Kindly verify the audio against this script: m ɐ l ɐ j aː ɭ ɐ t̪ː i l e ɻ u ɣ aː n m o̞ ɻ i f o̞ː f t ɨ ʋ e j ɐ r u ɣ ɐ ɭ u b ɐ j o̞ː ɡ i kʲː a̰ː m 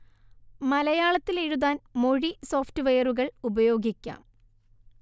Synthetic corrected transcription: m ɐ l ɐ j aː ɭ ɐ t̪ː i l e ɻ u ð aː n m o̞ ɻ i s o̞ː f t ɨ ʋ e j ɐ r u ɣ ɐ ɭ u b ɐ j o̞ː ɡ i kʲː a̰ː m